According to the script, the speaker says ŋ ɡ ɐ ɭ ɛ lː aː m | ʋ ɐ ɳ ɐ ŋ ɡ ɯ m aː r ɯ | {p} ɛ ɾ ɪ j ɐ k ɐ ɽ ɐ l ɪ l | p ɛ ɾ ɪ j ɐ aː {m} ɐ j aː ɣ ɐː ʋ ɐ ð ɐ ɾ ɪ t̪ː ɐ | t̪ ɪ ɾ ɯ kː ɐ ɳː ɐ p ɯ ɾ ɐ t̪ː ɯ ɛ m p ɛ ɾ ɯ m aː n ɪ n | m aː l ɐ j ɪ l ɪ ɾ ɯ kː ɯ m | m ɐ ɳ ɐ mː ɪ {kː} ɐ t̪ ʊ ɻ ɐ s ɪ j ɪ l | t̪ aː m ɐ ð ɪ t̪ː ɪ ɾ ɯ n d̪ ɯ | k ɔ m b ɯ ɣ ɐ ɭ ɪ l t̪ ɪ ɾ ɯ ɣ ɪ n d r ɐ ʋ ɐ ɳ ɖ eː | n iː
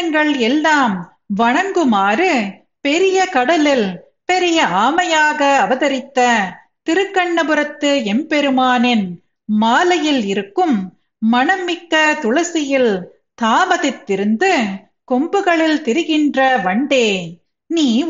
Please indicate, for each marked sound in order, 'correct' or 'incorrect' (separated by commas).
correct, correct, correct